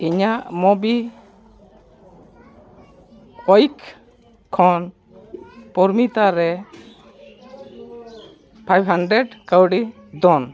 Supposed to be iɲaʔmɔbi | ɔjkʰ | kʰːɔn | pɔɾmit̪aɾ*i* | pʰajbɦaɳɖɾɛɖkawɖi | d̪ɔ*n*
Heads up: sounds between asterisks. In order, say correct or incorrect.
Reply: incorrect, correct

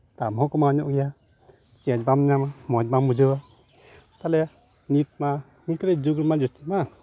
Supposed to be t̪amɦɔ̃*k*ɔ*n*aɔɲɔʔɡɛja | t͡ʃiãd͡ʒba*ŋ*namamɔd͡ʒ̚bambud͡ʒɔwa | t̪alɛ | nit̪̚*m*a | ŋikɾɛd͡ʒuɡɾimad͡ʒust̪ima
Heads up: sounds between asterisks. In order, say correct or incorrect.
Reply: correct, incorrect, incorrect, correct

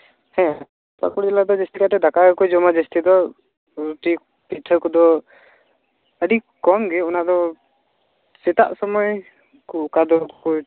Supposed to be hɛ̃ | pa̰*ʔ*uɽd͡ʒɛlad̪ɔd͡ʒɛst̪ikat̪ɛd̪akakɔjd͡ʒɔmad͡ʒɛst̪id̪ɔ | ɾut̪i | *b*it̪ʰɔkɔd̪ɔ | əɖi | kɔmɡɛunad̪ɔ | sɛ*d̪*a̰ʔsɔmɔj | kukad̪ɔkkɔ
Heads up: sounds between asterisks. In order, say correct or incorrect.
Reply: incorrect, incorrect, incorrect

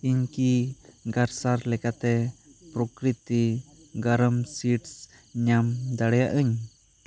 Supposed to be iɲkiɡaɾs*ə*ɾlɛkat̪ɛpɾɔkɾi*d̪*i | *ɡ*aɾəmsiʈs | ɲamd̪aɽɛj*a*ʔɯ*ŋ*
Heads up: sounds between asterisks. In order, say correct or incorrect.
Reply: incorrect, incorrect, correct, correct, incorrect

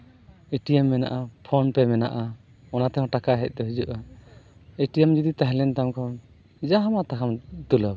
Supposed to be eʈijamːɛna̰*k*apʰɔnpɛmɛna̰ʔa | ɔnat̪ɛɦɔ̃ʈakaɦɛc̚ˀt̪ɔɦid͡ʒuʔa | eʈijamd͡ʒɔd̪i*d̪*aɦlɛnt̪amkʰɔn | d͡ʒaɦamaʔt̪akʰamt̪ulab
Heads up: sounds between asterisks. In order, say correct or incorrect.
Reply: incorrect, incorrect

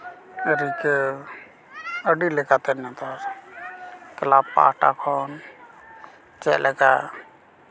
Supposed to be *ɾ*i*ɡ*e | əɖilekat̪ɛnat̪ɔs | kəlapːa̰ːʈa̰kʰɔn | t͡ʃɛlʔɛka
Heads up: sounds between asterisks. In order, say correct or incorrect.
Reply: correct, incorrect

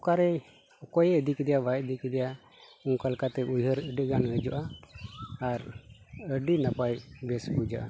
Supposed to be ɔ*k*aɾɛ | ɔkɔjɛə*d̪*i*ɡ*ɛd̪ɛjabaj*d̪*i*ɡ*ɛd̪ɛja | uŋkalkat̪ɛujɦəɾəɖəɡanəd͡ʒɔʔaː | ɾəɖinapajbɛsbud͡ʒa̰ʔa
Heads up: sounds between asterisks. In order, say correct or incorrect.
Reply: correct, correct, incorrect, correct, incorrect

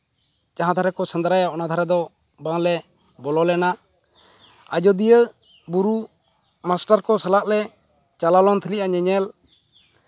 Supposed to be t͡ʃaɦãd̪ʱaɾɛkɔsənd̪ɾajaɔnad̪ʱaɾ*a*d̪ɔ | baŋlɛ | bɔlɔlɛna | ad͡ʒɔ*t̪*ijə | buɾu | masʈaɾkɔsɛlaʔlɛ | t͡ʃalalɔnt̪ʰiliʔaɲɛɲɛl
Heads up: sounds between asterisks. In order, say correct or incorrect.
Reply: incorrect, incorrect

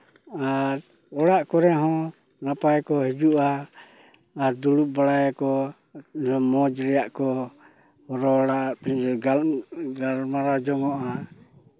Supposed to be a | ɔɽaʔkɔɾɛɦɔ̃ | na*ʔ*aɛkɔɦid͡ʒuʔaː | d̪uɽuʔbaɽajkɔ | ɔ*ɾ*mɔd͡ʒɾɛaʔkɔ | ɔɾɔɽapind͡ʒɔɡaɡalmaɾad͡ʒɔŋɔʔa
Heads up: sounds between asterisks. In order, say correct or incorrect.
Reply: incorrect, incorrect

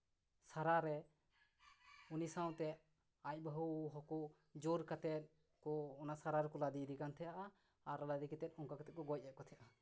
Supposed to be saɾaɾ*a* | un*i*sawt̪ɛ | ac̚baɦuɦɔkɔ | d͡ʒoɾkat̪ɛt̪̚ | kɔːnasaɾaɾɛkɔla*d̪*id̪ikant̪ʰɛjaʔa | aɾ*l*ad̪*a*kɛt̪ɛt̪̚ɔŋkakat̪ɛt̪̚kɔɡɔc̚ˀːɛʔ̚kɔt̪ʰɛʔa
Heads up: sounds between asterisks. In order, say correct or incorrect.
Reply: incorrect, correct, correct, correct, incorrect

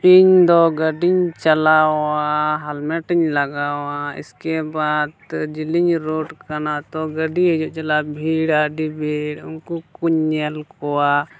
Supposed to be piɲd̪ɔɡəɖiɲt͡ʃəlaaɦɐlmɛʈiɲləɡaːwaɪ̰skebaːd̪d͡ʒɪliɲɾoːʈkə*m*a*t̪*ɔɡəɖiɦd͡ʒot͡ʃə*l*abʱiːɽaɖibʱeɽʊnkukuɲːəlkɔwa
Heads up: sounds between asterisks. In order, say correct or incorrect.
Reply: incorrect, correct, correct

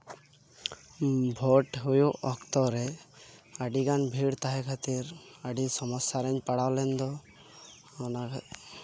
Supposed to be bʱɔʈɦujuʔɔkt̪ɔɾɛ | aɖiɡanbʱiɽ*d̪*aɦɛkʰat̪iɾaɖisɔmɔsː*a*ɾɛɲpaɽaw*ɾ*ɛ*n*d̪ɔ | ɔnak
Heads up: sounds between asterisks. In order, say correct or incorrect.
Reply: incorrect, correct, incorrect, correct

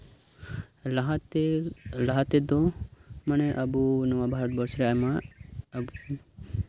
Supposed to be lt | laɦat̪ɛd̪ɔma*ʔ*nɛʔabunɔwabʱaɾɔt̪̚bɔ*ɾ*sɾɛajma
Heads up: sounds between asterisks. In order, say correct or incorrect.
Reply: incorrect, correct

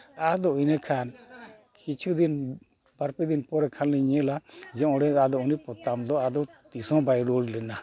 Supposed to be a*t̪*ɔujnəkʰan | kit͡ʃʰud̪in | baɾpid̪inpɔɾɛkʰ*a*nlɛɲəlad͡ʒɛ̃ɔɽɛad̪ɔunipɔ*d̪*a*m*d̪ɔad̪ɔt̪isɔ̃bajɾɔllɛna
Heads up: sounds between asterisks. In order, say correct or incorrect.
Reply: incorrect, correct, incorrect, correct

